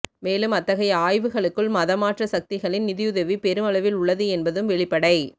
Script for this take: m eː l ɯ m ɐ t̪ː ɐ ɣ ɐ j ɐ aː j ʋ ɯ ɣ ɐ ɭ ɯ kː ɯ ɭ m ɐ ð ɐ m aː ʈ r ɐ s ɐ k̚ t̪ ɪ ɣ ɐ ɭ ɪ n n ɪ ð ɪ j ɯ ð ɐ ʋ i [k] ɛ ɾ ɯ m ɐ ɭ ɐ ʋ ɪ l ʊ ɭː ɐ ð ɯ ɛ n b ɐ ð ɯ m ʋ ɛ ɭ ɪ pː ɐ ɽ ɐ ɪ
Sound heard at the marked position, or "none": p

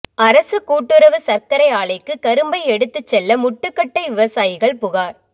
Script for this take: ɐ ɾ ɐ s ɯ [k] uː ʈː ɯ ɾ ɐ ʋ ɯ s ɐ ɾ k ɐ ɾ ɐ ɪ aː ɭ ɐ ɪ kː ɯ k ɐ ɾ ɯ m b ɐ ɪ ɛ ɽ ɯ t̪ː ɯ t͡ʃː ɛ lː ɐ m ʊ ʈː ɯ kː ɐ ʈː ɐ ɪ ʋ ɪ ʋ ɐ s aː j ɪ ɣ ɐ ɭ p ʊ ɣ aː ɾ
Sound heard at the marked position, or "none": k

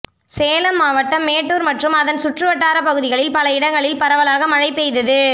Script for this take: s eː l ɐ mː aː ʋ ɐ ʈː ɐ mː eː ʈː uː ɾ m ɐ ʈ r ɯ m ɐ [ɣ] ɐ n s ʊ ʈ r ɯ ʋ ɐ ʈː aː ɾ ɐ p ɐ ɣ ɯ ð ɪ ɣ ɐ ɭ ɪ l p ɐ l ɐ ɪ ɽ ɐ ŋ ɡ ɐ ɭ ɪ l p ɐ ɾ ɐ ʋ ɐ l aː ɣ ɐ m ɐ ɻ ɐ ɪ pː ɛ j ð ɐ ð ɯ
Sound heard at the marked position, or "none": ð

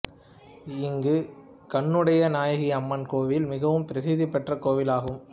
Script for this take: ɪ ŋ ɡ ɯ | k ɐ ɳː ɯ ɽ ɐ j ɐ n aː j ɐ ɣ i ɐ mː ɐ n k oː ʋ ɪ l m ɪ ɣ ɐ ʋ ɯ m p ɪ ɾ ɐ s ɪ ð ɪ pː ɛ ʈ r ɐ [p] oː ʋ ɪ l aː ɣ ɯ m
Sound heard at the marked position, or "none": k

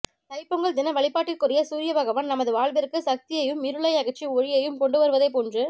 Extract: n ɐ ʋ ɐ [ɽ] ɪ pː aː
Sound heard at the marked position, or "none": ɭ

